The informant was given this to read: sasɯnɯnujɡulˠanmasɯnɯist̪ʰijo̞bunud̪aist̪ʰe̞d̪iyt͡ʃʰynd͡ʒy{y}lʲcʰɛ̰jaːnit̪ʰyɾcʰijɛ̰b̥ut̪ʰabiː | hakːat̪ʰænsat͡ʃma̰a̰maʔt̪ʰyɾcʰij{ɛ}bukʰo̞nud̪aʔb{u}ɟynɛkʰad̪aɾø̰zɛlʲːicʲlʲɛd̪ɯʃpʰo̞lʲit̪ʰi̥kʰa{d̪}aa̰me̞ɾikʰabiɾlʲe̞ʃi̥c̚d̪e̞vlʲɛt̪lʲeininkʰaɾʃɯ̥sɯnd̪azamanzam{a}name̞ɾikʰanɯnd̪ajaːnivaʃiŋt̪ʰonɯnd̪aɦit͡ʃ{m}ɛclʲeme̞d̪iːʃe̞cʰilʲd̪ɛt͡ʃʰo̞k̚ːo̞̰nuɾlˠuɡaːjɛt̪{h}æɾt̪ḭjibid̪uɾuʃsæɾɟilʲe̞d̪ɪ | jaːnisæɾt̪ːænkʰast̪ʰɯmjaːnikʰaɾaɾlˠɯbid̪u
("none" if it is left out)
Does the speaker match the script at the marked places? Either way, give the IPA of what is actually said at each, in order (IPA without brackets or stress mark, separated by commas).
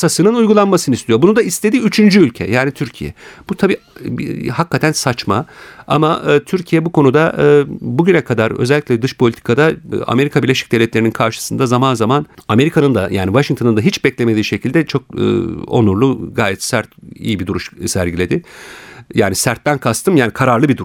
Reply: y, ɛ, u, d̪, a, b, s